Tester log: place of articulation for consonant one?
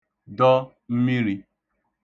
alveolar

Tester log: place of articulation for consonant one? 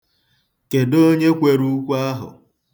velar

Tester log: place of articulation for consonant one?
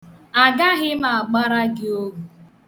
velar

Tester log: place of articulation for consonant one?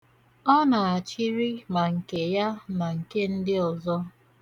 alveolar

